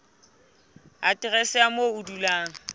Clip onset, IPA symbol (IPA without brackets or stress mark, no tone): a